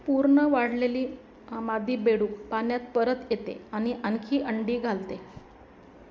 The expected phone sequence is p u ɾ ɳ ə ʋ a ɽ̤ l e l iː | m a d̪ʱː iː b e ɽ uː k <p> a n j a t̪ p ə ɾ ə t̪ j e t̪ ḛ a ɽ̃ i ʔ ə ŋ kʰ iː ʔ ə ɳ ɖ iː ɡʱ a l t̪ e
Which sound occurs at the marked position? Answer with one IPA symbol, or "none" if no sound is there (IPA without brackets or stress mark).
p